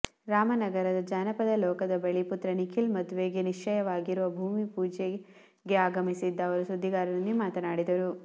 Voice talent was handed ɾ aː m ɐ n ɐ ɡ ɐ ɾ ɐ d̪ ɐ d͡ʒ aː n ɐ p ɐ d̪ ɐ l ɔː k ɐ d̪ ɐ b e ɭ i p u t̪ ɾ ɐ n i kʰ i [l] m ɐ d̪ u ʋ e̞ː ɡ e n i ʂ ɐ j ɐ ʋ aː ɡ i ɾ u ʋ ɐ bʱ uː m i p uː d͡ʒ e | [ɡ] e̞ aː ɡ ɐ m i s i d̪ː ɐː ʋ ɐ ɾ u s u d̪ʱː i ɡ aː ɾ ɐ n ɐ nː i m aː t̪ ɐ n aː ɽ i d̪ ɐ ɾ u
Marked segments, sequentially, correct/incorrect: correct, correct

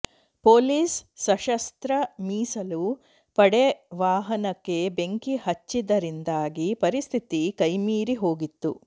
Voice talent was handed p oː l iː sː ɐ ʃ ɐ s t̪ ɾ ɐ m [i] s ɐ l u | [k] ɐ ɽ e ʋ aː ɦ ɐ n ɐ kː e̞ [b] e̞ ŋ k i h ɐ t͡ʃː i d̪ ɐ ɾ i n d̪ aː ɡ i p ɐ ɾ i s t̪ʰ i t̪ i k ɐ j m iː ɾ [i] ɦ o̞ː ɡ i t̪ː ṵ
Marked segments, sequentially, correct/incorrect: incorrect, incorrect, correct, correct

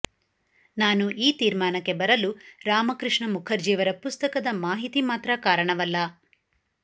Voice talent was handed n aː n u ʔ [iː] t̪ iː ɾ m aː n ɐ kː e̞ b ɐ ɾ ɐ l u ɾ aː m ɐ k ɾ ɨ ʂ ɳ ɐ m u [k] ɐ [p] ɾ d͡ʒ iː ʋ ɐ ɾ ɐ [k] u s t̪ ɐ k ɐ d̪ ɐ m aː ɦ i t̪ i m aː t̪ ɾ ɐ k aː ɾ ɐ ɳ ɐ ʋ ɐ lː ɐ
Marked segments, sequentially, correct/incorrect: correct, incorrect, incorrect, incorrect

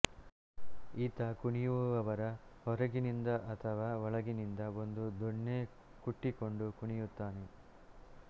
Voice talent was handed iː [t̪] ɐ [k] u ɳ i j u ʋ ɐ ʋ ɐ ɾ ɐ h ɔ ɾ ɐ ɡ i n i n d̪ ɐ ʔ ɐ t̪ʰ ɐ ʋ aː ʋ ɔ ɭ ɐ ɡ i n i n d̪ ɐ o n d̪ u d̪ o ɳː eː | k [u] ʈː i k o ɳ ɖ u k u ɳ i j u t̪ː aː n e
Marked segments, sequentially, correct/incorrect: correct, correct, correct

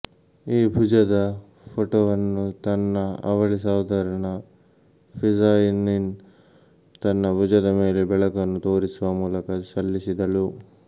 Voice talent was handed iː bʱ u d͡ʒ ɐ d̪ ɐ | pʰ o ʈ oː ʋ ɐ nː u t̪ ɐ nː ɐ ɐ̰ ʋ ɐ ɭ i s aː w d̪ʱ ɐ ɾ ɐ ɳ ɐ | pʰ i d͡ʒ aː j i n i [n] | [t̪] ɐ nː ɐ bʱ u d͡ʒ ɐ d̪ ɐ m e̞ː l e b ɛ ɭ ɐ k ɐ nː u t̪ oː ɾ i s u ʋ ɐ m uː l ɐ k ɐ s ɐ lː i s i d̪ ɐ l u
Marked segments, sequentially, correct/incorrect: correct, correct

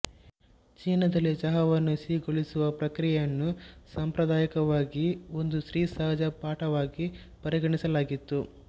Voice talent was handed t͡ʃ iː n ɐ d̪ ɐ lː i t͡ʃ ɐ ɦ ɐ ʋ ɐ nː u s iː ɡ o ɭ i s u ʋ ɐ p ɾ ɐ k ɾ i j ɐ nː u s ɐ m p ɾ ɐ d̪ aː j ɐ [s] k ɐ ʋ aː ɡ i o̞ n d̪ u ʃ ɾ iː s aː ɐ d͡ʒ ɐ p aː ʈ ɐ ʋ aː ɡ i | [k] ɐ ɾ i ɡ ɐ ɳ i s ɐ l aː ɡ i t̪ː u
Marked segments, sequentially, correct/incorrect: incorrect, incorrect

